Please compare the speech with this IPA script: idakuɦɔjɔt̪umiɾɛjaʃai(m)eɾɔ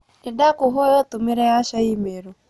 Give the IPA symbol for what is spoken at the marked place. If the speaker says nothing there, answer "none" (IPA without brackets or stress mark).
m